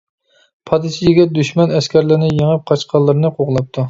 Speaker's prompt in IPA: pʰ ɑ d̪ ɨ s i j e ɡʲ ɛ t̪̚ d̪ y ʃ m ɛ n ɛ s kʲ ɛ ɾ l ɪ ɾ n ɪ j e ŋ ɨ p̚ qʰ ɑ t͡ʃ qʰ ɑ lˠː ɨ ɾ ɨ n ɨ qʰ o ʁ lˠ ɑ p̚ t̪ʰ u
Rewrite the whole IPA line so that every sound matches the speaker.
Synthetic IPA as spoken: pʰ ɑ d̪ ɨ s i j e ɡʲ ɛ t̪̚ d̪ y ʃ m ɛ n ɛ s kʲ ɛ ɾ l ɪ ɾ n ɪ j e ŋ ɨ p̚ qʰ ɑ t͡ʃ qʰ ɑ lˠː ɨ ɾ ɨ n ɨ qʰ o ʁ lˠ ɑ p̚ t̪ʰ u